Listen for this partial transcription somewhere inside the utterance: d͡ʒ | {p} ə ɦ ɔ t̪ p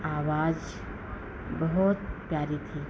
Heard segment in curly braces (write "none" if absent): b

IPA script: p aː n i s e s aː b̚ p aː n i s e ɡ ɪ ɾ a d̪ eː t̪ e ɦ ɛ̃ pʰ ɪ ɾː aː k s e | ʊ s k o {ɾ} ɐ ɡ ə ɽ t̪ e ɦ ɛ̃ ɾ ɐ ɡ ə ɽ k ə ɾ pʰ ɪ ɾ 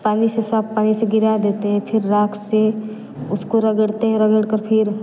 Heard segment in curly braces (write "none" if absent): ɾ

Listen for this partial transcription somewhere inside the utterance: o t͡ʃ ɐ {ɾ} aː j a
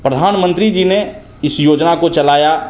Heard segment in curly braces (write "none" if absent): l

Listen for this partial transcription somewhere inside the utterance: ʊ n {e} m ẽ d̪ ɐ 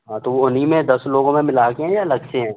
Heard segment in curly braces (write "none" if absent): i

